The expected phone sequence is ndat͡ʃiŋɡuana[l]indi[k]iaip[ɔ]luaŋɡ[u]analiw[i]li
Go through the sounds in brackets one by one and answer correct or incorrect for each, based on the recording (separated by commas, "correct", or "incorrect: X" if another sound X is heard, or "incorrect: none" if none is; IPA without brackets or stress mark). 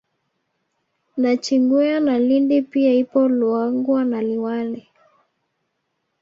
correct, incorrect: p, correct, incorrect: w, incorrect: a